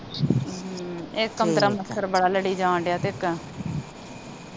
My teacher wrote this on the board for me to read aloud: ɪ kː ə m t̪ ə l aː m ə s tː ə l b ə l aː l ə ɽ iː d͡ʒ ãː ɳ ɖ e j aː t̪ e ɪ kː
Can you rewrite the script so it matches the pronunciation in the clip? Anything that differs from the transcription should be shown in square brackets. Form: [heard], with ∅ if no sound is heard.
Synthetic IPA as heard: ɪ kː ə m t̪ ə [ɾ] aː m ə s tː ə [ɾ] b ə [ɽ] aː l ə ɽ iː d͡ʒ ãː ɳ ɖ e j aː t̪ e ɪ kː